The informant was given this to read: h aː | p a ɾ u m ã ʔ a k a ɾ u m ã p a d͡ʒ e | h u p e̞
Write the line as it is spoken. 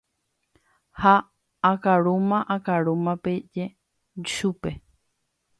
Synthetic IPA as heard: h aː | k a ɾ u m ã ʔ a k a ɾ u m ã p e d͡ʒ e | ʃ u p e̞